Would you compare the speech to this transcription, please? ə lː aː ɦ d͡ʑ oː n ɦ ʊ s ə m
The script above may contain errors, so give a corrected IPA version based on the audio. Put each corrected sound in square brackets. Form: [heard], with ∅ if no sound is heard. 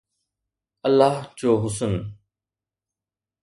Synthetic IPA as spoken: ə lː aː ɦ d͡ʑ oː [∅] ɦ ʊ s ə [n]